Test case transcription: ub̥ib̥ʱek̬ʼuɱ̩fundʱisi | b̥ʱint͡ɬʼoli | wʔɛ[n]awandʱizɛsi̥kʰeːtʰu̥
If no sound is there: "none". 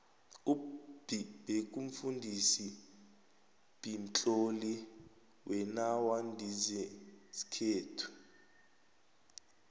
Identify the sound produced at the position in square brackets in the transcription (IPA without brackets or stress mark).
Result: n